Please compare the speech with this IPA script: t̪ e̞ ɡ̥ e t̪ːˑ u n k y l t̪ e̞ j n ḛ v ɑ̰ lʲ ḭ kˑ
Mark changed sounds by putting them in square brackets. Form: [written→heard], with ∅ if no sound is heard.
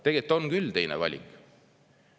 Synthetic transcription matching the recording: t̪ e̞ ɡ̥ e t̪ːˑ [u→o] n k y l t̪ e̞ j n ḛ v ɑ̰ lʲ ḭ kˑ